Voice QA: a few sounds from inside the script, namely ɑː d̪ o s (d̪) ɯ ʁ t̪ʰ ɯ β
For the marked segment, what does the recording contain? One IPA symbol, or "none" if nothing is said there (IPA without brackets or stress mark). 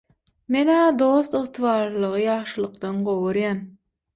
t̪